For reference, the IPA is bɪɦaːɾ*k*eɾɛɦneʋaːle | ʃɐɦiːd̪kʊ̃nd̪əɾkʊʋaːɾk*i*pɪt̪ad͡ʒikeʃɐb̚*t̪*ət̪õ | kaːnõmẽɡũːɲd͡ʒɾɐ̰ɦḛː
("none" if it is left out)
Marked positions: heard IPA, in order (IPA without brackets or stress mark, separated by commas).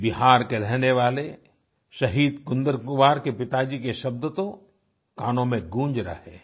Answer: k, e, d̪